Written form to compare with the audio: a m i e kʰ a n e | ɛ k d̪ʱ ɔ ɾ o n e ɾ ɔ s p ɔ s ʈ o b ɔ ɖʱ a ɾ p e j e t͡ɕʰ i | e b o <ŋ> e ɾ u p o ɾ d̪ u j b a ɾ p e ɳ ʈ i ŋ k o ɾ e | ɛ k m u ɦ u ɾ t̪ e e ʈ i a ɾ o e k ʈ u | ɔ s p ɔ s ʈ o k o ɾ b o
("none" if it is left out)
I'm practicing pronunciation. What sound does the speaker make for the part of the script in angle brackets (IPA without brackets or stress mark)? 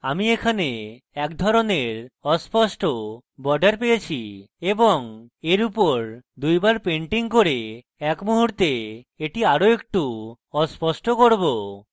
ŋ